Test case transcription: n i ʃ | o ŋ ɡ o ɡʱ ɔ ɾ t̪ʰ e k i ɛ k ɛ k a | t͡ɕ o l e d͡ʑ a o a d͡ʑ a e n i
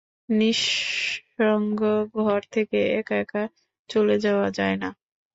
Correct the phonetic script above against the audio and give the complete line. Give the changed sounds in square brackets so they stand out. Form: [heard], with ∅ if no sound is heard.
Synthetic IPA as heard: n i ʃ | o ŋ ɡ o ɡʱ ɔ ɾ t̪ʰ e k [e] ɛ k ɛ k a | t͡ɕ o l e d͡ʑ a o a d͡ʑ a e n [a]